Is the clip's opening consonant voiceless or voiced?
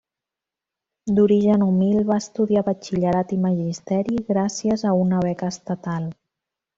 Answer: voiced